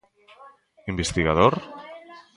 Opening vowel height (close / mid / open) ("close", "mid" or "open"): close